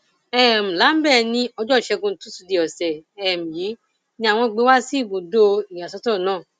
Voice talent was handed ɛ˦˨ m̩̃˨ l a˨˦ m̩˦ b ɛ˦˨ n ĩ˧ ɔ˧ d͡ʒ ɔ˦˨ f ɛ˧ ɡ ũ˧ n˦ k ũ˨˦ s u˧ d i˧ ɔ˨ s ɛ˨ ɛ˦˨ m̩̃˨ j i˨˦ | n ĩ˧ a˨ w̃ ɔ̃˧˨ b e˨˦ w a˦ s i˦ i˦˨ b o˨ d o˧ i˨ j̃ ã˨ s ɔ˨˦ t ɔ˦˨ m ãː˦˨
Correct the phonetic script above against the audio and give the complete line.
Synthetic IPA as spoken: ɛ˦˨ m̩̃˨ l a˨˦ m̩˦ b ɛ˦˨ n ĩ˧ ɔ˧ d͡ʒ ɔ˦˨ ʃ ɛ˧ ɡ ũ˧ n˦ t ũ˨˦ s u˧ d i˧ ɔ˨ s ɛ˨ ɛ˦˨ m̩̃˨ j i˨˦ | n ĩ˧ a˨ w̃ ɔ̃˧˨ ɡ͡b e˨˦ w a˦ s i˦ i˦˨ b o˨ d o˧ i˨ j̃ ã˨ s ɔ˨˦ t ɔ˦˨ n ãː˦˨